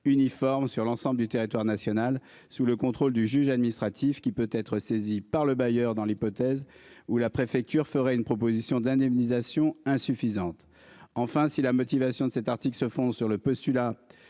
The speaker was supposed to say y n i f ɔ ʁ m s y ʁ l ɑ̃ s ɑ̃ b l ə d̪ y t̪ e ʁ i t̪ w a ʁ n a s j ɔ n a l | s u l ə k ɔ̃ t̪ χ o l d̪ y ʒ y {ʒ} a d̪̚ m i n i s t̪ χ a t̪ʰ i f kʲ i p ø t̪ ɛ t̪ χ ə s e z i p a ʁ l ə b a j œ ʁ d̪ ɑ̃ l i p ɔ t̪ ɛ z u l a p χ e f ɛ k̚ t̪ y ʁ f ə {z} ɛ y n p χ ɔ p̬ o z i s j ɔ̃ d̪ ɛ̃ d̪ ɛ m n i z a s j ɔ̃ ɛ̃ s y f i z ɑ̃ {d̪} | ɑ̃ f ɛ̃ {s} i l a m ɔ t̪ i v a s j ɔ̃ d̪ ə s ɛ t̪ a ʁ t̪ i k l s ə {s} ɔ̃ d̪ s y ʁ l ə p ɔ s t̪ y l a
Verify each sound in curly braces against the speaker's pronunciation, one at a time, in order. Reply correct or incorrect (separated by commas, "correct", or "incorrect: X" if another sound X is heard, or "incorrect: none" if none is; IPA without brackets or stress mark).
correct, incorrect: ʁ, incorrect: t̪, correct, incorrect: f